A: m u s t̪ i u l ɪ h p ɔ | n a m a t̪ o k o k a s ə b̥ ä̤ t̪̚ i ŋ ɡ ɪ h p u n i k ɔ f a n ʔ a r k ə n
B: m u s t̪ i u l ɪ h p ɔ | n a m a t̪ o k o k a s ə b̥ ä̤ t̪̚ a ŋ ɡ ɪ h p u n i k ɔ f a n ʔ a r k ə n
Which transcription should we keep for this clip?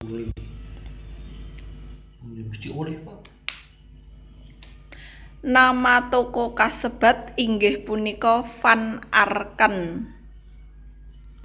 A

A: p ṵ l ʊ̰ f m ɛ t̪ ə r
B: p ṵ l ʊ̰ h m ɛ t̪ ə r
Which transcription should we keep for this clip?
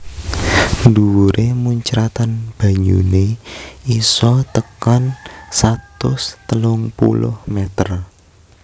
B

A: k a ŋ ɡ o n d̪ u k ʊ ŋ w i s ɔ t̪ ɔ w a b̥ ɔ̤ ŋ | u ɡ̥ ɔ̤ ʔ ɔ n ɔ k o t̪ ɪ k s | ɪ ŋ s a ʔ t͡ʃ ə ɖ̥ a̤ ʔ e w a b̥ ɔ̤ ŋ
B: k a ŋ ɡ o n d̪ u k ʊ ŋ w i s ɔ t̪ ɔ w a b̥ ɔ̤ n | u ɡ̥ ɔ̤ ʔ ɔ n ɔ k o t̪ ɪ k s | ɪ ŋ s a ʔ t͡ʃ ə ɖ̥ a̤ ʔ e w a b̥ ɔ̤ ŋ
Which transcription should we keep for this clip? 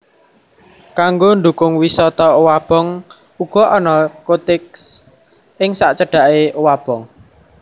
A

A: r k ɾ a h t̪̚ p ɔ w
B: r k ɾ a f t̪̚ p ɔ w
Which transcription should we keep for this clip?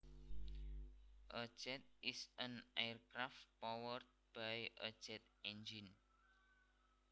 B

